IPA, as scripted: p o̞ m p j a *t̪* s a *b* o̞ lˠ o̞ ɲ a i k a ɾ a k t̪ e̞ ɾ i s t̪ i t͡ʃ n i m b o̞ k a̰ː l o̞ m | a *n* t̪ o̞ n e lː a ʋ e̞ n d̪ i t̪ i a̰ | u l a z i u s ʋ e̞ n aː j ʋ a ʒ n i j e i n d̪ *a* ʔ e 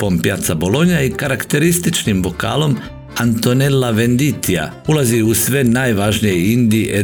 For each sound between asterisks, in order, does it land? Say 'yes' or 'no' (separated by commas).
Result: yes, yes, yes, no